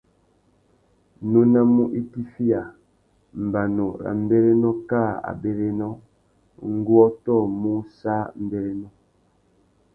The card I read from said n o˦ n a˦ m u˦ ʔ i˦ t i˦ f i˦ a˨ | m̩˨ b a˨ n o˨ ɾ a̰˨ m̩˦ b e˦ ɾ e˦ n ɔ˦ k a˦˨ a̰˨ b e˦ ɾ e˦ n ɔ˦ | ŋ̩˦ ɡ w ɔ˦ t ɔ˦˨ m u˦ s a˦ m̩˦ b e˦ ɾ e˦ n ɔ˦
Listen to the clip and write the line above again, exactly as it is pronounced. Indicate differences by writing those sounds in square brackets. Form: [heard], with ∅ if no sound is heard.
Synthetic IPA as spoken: n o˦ n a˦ m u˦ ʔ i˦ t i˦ f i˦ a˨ | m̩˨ b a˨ n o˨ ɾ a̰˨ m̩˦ b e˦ ɾ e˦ n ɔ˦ k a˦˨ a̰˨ b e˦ ɾ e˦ n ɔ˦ | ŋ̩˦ ɡ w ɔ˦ t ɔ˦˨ m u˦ s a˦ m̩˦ b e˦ ɾ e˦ n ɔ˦